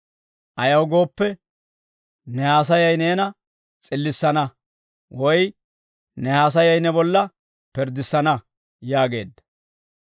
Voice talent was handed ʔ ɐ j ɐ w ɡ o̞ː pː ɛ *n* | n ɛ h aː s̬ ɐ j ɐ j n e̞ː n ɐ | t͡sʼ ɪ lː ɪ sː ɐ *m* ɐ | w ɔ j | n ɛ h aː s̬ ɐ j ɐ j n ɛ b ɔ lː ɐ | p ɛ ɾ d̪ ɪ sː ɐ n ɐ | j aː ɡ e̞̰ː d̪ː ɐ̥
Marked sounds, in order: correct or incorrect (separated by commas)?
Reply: incorrect, incorrect